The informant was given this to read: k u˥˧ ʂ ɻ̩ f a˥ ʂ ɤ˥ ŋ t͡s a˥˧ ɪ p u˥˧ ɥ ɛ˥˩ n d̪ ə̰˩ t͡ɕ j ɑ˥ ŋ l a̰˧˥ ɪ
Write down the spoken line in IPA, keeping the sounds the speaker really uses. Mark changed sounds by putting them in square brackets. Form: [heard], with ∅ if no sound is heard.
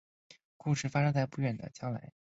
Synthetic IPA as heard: k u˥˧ ʂ ɻ̩ f a˥ ʂ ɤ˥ ŋ t͡s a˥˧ ɪ p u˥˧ ɥ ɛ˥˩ n d̪ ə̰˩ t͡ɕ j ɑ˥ ŋ l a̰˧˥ ɪ